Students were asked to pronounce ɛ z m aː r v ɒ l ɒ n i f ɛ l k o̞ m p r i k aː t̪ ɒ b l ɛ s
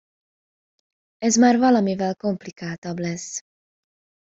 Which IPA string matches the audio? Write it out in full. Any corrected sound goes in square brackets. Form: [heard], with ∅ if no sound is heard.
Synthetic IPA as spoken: ɛ z m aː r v ɒ l ɒ [m] i [v] ɛ l k o̞ m p [l] i k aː t̪ ɒ b l ɛ s